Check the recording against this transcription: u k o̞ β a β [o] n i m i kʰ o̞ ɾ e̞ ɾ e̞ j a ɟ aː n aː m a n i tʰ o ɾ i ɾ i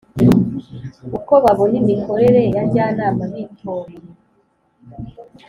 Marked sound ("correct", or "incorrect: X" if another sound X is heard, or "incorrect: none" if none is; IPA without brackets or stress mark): correct